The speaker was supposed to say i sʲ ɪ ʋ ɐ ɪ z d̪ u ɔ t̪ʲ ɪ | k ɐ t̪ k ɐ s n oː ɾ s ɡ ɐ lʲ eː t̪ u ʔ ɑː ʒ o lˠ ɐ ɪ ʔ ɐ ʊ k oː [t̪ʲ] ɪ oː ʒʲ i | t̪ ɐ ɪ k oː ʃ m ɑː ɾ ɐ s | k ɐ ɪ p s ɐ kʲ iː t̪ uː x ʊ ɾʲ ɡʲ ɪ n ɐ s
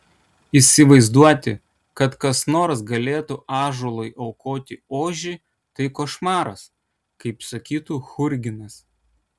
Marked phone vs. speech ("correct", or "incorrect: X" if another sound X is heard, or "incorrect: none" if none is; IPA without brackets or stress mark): correct